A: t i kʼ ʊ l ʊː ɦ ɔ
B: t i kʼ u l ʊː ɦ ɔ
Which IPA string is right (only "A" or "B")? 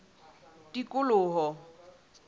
A